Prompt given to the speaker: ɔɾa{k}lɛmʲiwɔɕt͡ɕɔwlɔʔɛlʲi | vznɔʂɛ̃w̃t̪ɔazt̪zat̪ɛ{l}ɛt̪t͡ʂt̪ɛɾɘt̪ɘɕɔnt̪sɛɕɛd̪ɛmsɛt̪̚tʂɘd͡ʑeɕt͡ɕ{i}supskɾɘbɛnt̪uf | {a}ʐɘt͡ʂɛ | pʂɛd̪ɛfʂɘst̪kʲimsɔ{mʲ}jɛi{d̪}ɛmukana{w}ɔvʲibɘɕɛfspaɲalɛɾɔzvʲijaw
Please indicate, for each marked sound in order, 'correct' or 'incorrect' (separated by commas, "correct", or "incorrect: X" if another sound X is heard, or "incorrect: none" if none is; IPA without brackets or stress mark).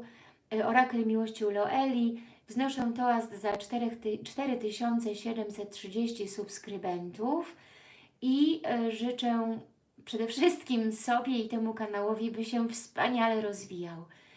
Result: correct, incorrect: ɾ, correct, incorrect: i, incorrect: bʲ, incorrect: t̪, correct